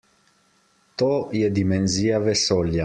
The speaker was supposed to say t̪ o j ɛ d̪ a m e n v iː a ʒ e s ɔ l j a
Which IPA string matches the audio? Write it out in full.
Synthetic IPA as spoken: t̪ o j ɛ d̪ i m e n z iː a v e s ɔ l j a